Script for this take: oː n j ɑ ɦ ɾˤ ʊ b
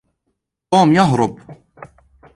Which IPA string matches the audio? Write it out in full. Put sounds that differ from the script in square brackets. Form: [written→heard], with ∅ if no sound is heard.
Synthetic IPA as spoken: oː [n→m] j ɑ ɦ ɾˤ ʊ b